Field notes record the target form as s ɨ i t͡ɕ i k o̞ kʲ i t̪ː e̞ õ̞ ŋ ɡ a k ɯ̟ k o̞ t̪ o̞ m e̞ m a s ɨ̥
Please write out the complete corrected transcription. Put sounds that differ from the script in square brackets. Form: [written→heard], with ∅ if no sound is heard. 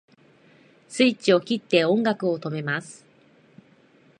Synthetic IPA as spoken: s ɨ i t͡ɕ i [k→∅] o̞ kʲ i t̪ː e̞ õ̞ ŋ ɡ a k ɯ̟ [k→∅] o̞ t̪ o̞ m e̞ m a s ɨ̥